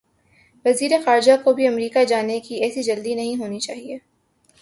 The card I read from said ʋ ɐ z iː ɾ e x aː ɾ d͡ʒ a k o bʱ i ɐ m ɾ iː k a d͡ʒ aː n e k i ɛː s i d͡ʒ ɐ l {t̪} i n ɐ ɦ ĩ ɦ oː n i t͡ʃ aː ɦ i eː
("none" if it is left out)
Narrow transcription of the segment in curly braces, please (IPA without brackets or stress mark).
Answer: d̪